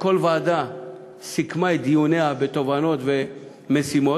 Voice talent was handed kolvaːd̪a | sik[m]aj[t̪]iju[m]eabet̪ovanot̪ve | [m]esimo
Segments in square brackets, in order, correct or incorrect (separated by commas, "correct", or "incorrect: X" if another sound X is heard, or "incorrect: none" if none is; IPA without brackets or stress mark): correct, incorrect: d̪, incorrect: n, correct